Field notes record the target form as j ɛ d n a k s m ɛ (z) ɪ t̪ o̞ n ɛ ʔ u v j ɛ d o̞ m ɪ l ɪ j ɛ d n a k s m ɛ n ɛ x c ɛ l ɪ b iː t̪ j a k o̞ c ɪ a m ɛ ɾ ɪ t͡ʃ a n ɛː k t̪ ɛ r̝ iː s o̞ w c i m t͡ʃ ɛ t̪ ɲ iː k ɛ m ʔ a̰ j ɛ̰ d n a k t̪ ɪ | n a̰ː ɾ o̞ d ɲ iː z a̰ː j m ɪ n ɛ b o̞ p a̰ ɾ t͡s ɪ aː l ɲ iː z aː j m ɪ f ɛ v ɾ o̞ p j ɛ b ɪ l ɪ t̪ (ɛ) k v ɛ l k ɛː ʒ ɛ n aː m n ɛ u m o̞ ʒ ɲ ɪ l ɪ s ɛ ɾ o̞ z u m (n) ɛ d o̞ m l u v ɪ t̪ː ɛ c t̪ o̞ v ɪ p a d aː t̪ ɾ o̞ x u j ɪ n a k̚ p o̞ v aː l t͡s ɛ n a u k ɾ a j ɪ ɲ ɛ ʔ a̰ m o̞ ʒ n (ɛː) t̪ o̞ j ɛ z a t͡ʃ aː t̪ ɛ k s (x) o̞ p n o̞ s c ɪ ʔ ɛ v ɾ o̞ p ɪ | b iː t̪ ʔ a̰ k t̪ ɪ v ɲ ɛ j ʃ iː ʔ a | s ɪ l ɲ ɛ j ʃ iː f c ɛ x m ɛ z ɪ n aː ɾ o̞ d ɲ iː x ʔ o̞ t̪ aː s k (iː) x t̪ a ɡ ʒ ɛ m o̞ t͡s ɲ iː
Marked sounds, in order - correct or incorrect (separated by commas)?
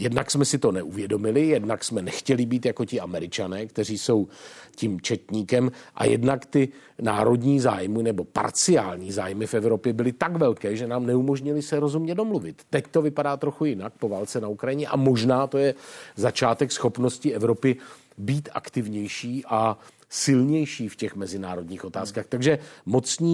incorrect, incorrect, incorrect, incorrect, correct, incorrect